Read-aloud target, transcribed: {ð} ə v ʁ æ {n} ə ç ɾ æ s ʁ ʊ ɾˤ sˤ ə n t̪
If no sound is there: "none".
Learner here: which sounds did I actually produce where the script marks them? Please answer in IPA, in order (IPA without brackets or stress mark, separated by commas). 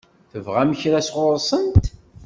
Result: θ, m